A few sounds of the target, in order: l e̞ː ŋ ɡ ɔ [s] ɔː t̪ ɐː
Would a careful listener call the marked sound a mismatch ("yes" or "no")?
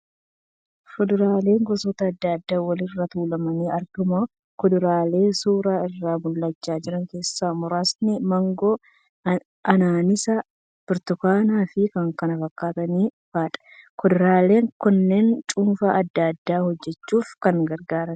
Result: no